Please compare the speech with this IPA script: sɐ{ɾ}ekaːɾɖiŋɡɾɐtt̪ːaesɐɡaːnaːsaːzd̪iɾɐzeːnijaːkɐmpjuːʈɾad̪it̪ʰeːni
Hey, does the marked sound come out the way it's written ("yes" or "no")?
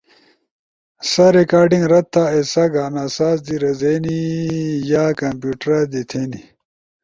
yes